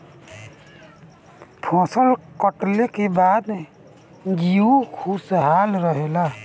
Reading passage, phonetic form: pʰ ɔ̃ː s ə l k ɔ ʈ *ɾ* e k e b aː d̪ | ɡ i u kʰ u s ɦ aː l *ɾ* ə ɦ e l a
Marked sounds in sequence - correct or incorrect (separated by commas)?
incorrect, correct